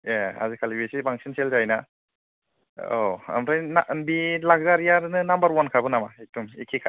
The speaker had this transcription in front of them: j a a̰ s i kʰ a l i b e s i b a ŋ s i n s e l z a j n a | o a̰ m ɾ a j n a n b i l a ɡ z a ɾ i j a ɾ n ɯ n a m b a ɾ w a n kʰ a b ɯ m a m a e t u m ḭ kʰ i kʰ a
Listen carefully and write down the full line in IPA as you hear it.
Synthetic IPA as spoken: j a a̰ z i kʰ a l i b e s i b a ŋ s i n s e l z a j n a | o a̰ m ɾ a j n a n b i l a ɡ z a ɾ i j a ɾ n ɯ n a m b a ɾ w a n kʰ a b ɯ n a m a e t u m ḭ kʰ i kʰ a